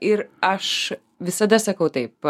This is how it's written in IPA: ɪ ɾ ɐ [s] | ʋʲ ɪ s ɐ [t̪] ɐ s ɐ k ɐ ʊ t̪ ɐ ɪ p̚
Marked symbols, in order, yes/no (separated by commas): no, no